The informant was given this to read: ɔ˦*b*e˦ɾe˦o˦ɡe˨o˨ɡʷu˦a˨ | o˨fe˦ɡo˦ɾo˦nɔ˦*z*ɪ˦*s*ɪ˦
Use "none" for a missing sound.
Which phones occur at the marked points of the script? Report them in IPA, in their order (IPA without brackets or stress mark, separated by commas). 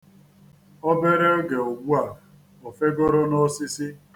b, s, s